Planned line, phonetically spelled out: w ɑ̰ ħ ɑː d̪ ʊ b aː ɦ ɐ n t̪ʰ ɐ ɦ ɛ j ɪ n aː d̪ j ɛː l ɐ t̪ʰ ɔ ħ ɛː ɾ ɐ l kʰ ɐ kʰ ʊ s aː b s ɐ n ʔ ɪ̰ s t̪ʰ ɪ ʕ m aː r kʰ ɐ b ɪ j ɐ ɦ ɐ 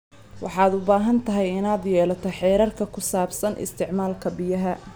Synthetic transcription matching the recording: w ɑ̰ ħ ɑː d̪ ʊ b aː ɦ ɐ n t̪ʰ ɐ ɦ ɛ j ɪ n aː d̪ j ɛː l ɐ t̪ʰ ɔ ħ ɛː ɾ ɐ r kʰ ɐ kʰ ʊ s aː b s ɐ n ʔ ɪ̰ s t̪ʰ ɪ ʕ m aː l kʰ ɐ b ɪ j ɐ ɦ ɐ